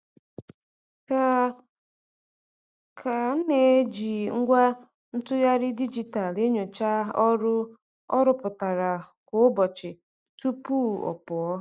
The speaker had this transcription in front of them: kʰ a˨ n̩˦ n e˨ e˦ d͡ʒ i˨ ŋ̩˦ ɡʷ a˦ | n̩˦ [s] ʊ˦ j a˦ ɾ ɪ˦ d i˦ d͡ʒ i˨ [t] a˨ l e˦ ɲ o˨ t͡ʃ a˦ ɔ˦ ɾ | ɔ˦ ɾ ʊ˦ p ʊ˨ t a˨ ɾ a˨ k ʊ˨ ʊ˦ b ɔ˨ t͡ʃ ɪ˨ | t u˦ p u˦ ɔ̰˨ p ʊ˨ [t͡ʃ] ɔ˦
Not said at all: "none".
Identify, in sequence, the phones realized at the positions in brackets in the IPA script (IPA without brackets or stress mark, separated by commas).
t, t, none